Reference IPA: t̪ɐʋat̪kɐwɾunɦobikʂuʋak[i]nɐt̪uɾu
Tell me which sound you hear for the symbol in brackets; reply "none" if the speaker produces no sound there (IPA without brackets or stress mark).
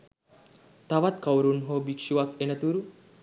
e